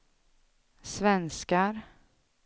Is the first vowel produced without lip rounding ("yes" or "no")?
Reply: yes